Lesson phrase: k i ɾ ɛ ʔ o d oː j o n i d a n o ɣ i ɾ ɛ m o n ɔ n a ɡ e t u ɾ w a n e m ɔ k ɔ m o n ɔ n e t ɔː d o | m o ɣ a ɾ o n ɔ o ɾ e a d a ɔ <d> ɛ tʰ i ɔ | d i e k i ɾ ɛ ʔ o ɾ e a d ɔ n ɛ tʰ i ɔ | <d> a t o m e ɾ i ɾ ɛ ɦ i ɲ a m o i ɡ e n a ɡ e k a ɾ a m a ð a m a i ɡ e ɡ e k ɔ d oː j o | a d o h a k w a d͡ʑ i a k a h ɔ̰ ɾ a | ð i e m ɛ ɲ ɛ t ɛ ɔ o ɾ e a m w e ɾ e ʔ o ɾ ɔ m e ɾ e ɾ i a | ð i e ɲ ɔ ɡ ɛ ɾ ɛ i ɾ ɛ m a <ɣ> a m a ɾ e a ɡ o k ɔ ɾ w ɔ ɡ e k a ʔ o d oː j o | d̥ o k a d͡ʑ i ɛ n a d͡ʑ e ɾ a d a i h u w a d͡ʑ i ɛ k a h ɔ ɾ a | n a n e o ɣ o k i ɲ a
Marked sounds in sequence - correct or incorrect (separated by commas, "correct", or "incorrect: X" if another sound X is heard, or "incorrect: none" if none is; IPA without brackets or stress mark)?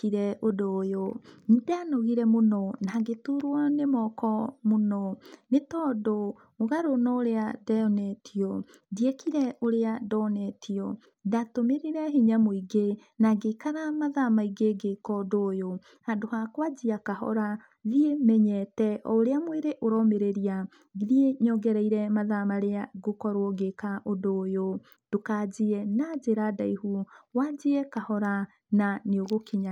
incorrect: n, correct, incorrect: ð